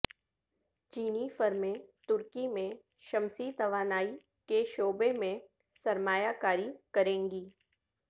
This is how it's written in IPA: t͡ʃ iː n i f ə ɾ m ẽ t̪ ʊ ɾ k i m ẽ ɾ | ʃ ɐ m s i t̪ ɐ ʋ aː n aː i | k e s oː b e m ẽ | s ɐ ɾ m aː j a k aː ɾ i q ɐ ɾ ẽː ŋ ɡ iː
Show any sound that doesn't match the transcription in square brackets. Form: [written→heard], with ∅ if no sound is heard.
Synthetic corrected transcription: t͡ʃ iː n i f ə ɾ m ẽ t̪ ʊ ɾ k i m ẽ [ɾ→∅] | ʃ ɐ m s i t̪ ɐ ʋ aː n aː i | k e [s→ʃ] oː b e m ẽ | s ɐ ɾ m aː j a k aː ɾ i [q→k] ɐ ɾ ẽː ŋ ɡ iː